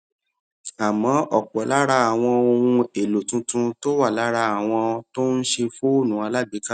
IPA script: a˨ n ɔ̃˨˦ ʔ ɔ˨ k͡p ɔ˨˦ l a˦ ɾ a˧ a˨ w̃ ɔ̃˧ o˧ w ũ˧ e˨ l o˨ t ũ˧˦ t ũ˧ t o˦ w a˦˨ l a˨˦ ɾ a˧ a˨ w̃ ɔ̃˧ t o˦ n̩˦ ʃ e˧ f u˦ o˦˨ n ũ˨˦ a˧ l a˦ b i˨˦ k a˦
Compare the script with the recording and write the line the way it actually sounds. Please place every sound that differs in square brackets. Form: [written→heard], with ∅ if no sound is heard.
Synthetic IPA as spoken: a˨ [n→m] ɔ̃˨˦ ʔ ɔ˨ k͡p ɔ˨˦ l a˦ ɾ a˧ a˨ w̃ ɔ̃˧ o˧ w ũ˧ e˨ l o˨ t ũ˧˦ t ũ˧ t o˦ w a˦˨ l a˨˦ ɾ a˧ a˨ w̃ ɔ̃˧ t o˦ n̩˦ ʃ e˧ f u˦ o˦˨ n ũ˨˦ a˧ l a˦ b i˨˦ k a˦